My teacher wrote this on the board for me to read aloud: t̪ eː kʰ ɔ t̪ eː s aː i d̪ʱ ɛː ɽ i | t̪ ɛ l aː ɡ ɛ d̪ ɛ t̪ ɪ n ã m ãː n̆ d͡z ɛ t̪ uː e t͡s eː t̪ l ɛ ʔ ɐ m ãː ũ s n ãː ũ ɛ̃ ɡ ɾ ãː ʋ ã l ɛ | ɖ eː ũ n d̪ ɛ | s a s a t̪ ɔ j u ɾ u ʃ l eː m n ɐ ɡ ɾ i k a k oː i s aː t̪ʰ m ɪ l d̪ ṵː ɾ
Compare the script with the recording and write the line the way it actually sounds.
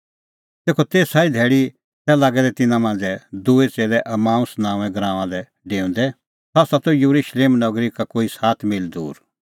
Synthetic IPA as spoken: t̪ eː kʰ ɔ t̪ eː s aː i d̪ʱ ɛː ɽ i | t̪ ɛ l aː ɡ ɛ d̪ ɛ t̪ ɪ n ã m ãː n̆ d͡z ɛ d̪ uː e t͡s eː l ɛ ʔ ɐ m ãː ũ s n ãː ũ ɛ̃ ɡ ɾ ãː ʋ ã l ɛ | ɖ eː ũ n d̪ ɛ | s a s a t̪ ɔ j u ɾ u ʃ l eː m n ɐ ɡ ɾ i k a k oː i s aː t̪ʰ m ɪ l d̪ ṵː ɾ

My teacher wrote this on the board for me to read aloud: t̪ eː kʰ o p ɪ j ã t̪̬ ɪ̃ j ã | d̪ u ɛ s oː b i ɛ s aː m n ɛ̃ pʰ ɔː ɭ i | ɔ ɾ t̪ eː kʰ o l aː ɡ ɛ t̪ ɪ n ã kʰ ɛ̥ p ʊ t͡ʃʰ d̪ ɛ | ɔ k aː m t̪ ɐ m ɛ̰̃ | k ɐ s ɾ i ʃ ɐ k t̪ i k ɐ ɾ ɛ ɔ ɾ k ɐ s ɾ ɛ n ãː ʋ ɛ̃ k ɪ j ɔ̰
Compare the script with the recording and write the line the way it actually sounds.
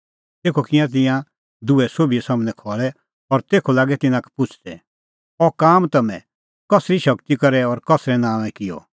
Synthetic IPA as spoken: t̪ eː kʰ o k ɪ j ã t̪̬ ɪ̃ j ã | d̪ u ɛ s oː b i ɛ s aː m n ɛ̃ kʰ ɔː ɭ ɛ | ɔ ɾ t̪ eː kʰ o l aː ɡ ɛ t̪ ɪ n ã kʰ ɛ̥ p ʊ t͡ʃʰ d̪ ɛ | ɔ k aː m t̪ ɐ m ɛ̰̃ | k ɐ s ɾ i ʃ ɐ k t̪ i k ɐ ɾ ɛ ɔ ɾ k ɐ s ɾ ɛ n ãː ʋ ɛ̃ k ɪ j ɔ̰

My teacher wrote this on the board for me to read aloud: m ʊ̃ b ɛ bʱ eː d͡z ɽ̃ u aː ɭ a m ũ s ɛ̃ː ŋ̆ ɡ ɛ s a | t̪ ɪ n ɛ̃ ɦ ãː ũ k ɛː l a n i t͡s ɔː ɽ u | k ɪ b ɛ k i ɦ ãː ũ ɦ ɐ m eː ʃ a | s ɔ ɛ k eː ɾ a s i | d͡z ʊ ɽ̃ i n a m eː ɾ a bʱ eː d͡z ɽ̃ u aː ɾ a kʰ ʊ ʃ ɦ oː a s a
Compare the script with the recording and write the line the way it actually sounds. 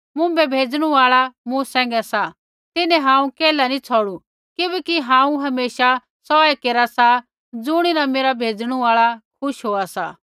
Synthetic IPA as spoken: m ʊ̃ b ɛ bʱ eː d͡z ɽ̃ u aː ɭ a m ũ s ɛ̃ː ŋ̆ ɡ ɛ s a | t̪ ɪ n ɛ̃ ɦ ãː ũ k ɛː l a n i t͡sʰ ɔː ɽ u | k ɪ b ɛ k i ɦ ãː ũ ɦ ɐ m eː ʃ a | s ɔ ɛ k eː ɾ a s a | d͡z ʊ ɽ̃ i n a m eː ɾ a bʱ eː d͡z ɽ̃ u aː ɭ a kʰ ʊ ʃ ɦ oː a s a

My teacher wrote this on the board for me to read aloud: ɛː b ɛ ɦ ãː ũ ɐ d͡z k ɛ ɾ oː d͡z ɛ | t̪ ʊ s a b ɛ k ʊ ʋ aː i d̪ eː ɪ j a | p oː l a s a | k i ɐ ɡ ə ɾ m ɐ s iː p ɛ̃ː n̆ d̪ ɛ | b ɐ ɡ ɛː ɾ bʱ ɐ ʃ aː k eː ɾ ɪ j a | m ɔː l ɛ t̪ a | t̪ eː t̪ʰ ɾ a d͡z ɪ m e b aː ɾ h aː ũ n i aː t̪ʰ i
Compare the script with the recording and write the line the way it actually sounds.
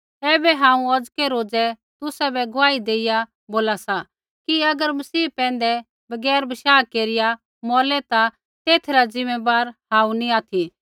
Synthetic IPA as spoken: ɛː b ɛ ɦ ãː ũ ɐ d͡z k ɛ ɾ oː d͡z ɛ | t̪ ʊ s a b ɛ ɡ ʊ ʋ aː i d̪ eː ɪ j a | b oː l a s a | k i ɐ ɡ ə ɾ m ɐ s iː p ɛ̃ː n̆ d̪ ɛ | b ɐ ɡ ɛː ɾ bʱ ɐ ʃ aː k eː ɾ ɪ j a | m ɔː l ɛ t̪ a | t̪ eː t̪ʰ ɾ a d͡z ɪ m e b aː ɾ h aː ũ n i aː t̪ʰ i

